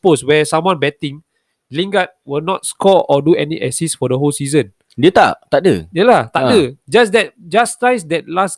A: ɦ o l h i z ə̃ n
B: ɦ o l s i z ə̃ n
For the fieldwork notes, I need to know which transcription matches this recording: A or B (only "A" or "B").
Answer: B